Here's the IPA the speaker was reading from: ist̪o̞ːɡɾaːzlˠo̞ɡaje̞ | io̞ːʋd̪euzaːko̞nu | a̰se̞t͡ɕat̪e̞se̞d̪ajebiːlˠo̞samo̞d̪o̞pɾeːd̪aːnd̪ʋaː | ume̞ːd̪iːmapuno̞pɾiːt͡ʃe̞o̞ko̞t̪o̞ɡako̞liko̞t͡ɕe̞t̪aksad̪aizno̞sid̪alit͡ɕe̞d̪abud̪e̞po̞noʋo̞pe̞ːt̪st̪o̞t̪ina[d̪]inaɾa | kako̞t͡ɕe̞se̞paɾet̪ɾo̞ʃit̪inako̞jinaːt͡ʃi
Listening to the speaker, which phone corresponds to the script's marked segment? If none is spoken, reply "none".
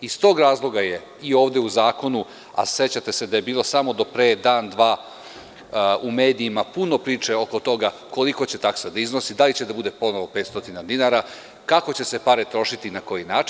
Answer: d̪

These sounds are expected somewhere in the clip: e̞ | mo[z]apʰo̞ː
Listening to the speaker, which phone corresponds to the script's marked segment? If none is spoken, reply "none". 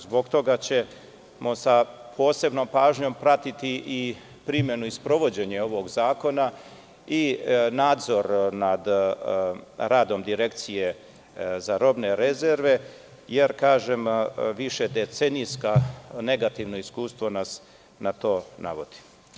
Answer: s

